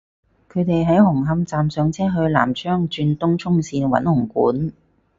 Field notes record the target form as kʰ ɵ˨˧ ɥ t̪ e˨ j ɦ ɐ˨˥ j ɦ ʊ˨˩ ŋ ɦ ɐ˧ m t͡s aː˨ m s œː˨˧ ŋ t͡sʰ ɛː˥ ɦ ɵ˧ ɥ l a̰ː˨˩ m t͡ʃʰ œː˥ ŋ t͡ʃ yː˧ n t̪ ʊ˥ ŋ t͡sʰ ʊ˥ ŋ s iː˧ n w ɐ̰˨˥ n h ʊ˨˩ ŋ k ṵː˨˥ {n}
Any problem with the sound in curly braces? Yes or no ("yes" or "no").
no